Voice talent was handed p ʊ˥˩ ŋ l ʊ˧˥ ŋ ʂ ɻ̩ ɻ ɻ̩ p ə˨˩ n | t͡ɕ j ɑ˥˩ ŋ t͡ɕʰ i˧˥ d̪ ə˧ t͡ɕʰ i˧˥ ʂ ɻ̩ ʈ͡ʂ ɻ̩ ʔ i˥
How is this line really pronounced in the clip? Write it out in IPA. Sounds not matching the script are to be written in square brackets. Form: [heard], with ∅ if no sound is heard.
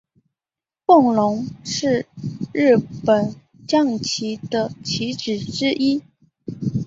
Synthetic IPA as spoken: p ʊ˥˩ ŋ l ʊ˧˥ ŋ ʂ ɻ̩ ɻ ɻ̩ p ə˨˩ n | t͡ɕ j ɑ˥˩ ŋ t͡ɕʰ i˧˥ d̪ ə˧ t͡ɕʰ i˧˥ [ʈ͡ʂ] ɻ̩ ʈ͡ʂ ɻ̩ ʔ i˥